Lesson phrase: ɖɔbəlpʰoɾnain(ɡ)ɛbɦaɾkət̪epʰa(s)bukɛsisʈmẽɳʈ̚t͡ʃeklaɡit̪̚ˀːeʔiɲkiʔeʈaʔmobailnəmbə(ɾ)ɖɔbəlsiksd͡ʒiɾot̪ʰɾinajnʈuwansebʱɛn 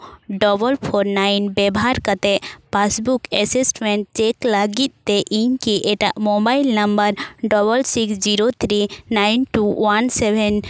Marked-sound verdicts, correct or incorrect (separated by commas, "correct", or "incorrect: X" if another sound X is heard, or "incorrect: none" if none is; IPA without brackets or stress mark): incorrect: b, correct, correct